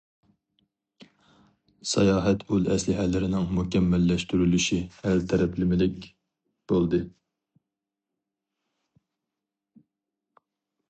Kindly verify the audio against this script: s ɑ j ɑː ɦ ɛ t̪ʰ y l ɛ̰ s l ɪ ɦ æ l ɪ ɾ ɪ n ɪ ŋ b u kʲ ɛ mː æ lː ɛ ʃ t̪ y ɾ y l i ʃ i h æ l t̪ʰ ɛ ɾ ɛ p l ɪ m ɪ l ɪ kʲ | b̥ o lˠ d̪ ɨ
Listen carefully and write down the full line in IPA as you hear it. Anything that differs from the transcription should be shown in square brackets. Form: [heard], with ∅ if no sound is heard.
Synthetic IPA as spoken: s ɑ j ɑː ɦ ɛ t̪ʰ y l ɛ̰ s l ɪ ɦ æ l ɪ ɾ ɪ n ɪ ŋ [m] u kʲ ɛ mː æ lː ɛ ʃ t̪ y ɾ y l [y] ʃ i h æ l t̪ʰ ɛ ɾ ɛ p l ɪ m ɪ l ɪ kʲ | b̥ o lˠ d̪ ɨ